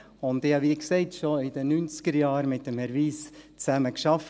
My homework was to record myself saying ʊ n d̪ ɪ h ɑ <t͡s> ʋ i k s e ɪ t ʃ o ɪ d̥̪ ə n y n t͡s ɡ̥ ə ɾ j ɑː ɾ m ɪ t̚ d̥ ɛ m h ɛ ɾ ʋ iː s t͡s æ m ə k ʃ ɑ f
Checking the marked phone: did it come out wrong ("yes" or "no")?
yes